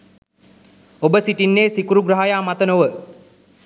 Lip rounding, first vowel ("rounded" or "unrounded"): rounded